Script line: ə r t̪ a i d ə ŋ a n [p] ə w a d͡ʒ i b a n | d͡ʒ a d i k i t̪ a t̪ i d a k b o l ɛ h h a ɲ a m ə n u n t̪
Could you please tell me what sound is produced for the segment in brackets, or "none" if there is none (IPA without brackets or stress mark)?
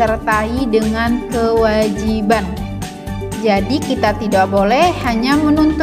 k